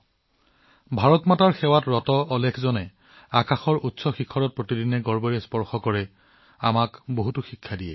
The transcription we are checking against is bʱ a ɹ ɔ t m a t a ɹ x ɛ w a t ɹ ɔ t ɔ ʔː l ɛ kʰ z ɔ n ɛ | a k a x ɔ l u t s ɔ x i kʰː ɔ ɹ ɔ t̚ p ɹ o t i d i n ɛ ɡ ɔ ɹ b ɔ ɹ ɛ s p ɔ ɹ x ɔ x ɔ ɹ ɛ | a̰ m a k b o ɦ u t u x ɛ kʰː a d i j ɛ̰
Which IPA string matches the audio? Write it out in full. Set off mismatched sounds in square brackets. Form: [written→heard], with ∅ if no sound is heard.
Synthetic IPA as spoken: bʱ a ɹ ɔ t m a t a ɹ x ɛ w a t ɹ ɔ t ɔ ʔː l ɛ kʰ z ɔ n ɛ | a k a x ɔ [l→ɹ] u t s ɔ x i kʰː ɔ ɹ ɔ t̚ p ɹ o t i d i n ɛ ɡ ɔ ɹ b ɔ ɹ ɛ s p ɔ ɹ x ɔ [x→k] ɔ ɹ ɛ | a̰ m a k b o ɦ u t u x [ɛ→i] kʰː a d i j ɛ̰